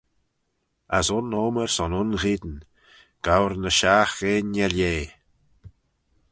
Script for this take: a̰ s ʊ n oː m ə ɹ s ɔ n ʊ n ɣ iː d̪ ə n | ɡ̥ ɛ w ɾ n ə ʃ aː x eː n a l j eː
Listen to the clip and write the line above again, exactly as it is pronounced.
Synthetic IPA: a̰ s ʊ n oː m ə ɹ s ɔ n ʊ n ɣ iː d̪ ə n | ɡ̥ a w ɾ n ə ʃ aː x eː n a l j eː

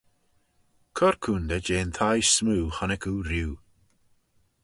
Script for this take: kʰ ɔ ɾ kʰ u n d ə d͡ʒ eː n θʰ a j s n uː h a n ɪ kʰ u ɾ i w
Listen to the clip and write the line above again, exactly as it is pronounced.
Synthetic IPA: kʰ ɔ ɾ kʰ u n d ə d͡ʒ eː n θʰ a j s m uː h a n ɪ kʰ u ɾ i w

